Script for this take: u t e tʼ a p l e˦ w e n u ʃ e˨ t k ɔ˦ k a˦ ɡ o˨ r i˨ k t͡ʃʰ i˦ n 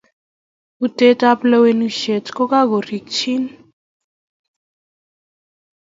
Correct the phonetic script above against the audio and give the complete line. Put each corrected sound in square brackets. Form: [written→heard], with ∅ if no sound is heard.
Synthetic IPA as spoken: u t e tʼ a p l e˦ w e n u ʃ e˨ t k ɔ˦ k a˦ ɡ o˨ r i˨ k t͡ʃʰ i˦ n